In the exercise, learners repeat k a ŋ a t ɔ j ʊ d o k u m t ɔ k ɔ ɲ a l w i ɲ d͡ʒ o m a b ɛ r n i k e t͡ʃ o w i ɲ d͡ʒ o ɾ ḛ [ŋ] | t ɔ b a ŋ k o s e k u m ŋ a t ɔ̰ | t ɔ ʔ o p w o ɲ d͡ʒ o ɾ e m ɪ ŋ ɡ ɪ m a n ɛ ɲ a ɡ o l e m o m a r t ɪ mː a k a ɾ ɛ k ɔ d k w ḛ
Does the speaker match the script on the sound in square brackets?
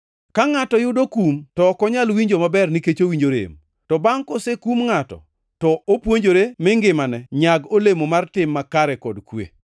no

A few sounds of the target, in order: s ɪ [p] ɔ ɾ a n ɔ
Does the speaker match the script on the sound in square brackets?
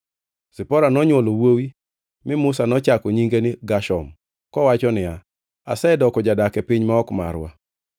yes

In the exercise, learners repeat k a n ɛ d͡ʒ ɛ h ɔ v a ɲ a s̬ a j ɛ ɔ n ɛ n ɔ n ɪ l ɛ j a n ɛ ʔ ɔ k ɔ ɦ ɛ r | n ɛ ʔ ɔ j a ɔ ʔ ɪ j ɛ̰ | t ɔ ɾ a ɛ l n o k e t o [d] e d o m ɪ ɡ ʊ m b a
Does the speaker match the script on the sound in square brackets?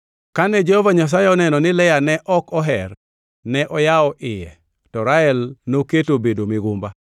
no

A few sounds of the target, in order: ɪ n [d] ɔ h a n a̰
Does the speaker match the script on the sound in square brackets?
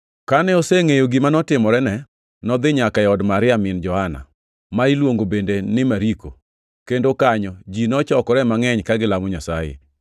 no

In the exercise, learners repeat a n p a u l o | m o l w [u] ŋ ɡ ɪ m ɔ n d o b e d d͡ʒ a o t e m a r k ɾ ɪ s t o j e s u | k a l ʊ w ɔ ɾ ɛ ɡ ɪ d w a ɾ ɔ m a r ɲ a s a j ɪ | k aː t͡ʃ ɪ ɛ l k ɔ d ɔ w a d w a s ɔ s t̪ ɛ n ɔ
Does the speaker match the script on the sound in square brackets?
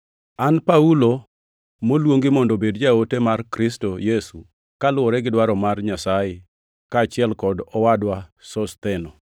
no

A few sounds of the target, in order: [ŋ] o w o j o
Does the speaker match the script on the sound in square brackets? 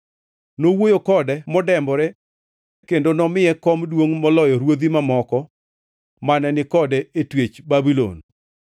no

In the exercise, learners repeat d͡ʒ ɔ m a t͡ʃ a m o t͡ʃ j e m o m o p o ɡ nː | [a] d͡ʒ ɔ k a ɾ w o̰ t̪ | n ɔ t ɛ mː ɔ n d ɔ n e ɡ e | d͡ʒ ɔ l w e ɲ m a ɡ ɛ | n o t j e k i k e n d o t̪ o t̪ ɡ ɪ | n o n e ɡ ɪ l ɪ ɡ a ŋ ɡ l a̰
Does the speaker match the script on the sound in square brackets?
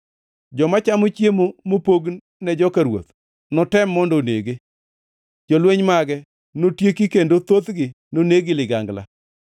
no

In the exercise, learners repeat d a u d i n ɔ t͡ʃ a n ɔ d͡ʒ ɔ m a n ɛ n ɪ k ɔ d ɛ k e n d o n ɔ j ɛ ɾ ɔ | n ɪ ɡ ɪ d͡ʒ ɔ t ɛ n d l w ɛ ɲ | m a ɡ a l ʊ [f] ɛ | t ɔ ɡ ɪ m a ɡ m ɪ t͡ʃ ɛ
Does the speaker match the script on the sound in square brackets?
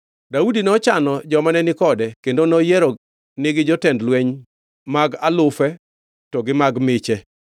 yes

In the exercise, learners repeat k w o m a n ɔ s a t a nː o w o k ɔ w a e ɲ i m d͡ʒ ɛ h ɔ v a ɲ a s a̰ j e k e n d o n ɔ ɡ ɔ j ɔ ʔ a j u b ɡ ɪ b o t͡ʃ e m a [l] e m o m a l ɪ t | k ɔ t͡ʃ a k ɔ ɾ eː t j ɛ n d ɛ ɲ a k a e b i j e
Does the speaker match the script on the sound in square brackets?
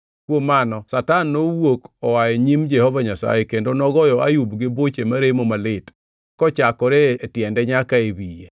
no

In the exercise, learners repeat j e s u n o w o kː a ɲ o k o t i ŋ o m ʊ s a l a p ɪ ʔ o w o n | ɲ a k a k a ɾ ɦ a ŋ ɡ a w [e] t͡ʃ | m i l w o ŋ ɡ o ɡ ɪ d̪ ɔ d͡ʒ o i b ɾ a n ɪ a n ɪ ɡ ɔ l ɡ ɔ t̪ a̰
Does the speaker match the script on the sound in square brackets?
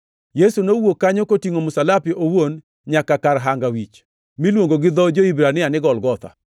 no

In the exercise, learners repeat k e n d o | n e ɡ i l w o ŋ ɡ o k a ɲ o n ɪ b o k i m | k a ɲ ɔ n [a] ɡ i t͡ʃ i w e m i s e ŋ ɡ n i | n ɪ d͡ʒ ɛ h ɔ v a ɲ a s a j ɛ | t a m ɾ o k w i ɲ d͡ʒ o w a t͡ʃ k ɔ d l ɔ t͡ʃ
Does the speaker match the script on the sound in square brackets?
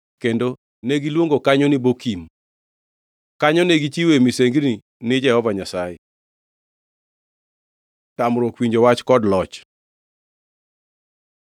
no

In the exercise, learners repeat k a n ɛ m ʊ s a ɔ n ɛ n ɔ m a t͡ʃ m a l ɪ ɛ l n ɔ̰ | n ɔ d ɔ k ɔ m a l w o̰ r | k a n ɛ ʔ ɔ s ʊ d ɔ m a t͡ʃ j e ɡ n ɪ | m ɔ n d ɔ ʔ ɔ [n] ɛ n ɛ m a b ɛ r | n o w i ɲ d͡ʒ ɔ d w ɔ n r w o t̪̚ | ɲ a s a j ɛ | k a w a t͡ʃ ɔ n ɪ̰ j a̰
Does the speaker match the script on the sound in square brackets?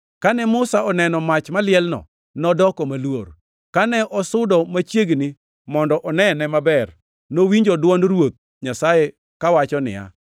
yes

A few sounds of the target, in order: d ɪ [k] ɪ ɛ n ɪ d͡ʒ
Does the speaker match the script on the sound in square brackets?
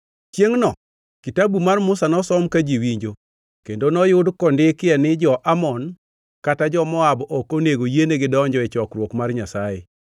yes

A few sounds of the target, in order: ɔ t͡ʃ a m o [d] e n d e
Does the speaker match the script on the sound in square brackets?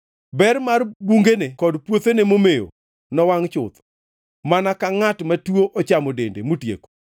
yes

